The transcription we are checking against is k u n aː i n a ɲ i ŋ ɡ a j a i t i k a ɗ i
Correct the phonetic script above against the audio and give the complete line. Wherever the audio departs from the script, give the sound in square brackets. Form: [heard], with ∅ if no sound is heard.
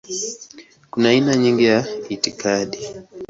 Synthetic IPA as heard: k u n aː i n a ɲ i ŋ ɡ [i] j a i t i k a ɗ i